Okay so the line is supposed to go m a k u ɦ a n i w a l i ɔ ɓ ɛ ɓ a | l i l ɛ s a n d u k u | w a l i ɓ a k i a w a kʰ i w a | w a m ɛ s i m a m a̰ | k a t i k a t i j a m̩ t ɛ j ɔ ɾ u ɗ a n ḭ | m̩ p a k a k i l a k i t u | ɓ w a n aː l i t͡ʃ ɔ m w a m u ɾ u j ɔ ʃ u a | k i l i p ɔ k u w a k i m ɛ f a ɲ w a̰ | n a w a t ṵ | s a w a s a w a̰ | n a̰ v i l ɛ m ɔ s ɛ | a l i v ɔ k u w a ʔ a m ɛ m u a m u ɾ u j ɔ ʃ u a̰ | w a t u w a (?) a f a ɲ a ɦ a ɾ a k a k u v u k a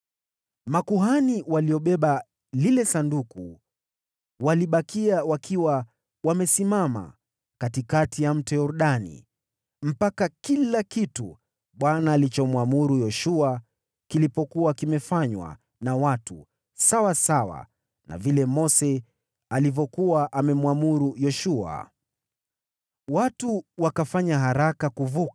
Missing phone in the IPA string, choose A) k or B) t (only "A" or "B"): A